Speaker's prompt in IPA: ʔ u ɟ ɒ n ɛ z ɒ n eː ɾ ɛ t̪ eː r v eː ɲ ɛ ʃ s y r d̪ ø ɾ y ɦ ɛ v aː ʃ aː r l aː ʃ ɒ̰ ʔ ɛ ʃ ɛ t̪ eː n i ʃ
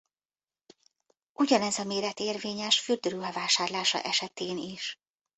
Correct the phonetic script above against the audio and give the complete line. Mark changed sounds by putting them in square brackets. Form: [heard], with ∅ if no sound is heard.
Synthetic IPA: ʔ u ɟ ɒ n ɛ z ɒ [m] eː ɾ ɛ t̪ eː r v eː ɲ ɛ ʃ [f] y r d̪ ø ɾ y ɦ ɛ v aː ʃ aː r l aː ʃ ɒ̰ ʔ ɛ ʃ ɛ t̪ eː n i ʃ